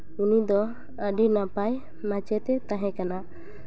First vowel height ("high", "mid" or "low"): high